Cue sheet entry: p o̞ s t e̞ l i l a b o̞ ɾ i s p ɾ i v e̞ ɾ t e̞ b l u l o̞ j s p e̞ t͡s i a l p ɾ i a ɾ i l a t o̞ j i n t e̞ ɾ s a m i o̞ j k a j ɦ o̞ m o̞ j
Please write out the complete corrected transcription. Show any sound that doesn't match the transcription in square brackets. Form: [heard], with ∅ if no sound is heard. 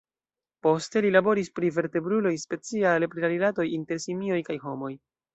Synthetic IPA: p o̞ s t e̞ l i l a b o̞ ɾ i s p ɾ i v e̞ ɾ t e̞ b [ɾ] u l o̞ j s p e̞ t͡s i a l p ɾ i a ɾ i l a t o̞ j i n t e̞ ɾ s [i] m i o̞ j k a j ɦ o̞ m o̞ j